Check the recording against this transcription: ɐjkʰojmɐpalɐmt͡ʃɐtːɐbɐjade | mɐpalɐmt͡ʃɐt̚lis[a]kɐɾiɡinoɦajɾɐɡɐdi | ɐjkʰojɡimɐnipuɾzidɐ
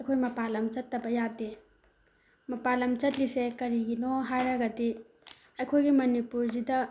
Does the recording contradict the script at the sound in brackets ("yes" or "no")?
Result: yes